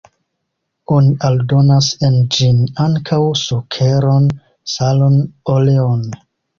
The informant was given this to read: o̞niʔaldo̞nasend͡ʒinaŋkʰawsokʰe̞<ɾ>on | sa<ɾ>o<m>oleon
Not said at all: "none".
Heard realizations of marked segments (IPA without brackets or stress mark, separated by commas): ɾ, l, n